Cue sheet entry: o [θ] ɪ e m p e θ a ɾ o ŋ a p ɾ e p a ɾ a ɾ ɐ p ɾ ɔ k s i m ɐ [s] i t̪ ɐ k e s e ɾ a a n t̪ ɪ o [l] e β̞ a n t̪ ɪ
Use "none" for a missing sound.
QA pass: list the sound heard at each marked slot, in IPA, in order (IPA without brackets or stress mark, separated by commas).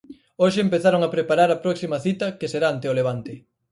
ʃ, θ, l